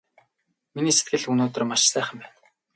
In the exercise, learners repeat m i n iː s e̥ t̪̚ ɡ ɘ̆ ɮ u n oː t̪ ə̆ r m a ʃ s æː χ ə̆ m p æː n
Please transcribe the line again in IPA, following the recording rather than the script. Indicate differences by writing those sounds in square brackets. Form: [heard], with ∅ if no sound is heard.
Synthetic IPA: m i n iː s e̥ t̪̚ ɡ ɘ̆ ɮ u n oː t̪ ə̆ r m a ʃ s æː χ ə̆ m p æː n